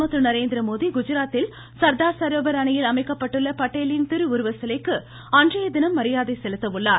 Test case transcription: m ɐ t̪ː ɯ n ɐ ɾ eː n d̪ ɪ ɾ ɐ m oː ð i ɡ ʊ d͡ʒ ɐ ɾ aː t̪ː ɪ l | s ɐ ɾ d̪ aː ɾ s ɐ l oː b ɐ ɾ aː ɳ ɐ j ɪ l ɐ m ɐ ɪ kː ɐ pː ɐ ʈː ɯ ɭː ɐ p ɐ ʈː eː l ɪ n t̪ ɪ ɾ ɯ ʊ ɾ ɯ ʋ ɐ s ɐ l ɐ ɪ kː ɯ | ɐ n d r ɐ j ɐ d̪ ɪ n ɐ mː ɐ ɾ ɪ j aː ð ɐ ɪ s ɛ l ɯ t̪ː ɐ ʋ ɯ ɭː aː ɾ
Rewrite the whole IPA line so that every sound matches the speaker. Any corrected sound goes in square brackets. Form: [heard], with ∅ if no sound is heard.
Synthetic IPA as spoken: m ɐ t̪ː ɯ n ɐ ɾ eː n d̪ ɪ ɾ ɐ m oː ð i ɡ ʊ d͡ʒ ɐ ɾ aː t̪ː ɪ l | s ɐ ɾ d̪ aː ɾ s ɐ [ɾ] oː b ɐ ɾ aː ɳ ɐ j ɪ l ɐ m ɐ ɪ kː ɐ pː ɐ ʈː ɯ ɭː ɐ p ɐ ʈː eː l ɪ n t̪ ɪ ɾ ɯ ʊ ɾ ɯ ʋ ɐ s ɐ l ɐ ɪ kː ɯ | ɐ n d r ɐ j ɐ d̪ ɪ n ɐ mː ɐ ɾ ɪ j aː ð ɐ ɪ s ɛ l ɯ t̪ː ɐ ʋ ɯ ɭː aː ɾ